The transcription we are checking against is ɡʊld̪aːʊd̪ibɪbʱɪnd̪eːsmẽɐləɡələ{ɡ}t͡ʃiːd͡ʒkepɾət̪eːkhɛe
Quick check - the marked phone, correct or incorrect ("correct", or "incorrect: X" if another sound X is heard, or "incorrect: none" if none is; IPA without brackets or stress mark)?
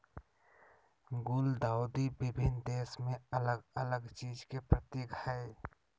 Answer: correct